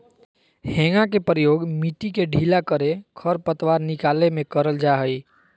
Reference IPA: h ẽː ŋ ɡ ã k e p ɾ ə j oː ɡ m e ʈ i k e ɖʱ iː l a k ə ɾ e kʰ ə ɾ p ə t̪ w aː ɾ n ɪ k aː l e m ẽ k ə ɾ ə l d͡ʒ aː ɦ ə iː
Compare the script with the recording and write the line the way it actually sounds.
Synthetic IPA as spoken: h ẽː ŋ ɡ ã k e p ɾ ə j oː ɡ m i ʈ i k e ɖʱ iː l a k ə ɾ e kʰ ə ɾ p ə t̪ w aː ɾ n ɪ k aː l e m ẽ k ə ɾ ə l d͡ʒ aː ɦ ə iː